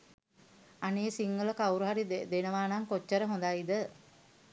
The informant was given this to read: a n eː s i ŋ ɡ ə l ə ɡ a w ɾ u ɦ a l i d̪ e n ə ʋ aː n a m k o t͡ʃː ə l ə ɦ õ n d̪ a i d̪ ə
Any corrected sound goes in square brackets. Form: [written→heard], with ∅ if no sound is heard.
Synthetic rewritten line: a n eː s i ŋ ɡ ə l ə [ɡ→k] a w ɾ u ɦ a [l→ɾ] i d̪ e n ə ʋ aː n a [m→ŋ] k o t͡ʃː ə [l→ɾ] ə ɦ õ n d̪ a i d̪ ə